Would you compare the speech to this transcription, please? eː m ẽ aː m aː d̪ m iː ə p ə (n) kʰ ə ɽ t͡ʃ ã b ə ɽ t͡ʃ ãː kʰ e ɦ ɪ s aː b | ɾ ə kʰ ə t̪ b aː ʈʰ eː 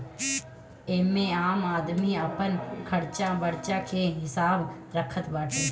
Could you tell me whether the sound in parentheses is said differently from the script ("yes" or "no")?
no